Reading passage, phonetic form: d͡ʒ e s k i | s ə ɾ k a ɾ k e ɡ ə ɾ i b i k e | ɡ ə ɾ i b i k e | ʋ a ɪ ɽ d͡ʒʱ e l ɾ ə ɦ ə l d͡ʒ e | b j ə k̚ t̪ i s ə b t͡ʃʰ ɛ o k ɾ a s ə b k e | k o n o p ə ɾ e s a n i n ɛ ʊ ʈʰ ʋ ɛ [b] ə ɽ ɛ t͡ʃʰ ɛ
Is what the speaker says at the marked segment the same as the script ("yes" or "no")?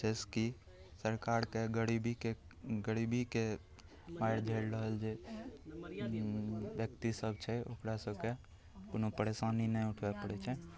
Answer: no